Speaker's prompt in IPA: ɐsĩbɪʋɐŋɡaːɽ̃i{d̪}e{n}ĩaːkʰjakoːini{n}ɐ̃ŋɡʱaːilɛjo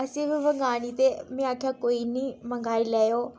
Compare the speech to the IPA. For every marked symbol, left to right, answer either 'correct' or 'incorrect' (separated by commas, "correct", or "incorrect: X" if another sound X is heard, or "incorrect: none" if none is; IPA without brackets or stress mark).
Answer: incorrect: t̪, incorrect: m, incorrect: m